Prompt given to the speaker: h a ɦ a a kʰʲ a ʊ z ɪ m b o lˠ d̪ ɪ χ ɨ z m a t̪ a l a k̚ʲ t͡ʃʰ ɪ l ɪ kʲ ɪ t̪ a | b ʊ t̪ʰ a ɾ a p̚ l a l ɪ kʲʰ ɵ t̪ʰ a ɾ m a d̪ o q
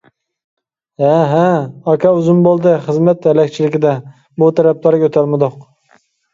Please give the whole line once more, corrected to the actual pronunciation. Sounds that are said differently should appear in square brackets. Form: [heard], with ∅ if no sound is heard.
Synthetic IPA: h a ɦ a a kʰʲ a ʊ z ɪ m b o lˠ d̪ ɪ χ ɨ z m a t̪ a l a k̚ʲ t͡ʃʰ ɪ l ɪ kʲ ɪ [d̪] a | b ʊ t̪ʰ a ɾ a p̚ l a [ɾ] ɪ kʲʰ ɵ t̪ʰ a ɾ m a d̪ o q